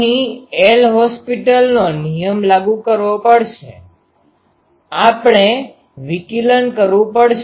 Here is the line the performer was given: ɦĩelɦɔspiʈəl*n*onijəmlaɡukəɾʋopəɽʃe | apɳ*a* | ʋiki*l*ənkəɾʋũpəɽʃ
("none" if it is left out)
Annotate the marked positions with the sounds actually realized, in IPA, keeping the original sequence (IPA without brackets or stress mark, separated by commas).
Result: n, e, l